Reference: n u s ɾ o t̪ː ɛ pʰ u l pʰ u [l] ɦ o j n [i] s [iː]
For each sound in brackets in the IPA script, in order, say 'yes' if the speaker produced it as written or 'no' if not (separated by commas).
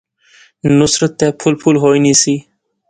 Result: yes, yes, no